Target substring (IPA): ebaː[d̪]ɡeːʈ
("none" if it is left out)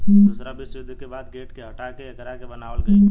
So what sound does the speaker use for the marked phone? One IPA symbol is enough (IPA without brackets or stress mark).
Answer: d̪